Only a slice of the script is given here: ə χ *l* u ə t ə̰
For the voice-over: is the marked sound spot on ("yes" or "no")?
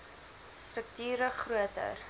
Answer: no